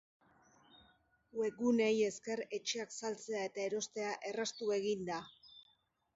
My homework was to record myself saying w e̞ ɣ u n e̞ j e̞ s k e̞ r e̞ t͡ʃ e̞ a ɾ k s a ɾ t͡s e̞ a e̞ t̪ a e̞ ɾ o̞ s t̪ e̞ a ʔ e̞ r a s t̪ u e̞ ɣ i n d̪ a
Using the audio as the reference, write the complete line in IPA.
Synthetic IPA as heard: w e̞ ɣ u n e̞ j e̞ s k e̞ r e̞ t͡ʃ e̞ a k s a l t͡s e̞ a e̞ t̪ a e̞ ɾ o̞ s t̪ e̞ a ʔ e̞ r a s t̪ u e̞ ɣ i n d̪ a